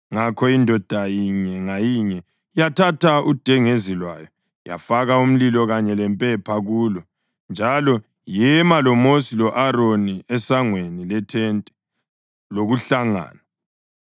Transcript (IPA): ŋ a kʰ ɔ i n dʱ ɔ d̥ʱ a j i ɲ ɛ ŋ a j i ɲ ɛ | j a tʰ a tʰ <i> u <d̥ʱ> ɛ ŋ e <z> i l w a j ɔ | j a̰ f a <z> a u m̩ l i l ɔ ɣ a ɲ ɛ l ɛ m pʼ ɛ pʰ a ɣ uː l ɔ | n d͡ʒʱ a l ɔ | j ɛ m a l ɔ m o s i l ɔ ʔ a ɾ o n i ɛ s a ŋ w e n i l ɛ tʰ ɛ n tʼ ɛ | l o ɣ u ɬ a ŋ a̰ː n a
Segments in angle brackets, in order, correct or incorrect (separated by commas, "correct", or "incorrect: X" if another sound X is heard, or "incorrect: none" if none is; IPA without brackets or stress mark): incorrect: a, correct, correct, incorrect: ɣ